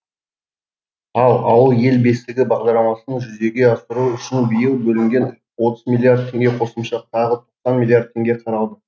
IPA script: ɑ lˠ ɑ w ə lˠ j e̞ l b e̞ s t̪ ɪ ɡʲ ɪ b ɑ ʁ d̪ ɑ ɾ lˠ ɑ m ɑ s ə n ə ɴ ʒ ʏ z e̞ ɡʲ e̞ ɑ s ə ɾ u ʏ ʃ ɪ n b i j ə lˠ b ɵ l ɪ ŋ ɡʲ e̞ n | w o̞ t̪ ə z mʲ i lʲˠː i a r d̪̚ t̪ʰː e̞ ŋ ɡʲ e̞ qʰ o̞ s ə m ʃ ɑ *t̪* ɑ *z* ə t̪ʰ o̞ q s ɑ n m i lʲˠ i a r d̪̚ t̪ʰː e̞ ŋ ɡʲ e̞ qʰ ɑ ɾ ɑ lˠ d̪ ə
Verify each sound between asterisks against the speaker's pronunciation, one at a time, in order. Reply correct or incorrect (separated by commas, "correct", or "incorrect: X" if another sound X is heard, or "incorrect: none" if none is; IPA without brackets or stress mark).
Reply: incorrect: t̪ʰ, incorrect: ʁ